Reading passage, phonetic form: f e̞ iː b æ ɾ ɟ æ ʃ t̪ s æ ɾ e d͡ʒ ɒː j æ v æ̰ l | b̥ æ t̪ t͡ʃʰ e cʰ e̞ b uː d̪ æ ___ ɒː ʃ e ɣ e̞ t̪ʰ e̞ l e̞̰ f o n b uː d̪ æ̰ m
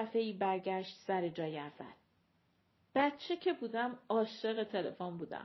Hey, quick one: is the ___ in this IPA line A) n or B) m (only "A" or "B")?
B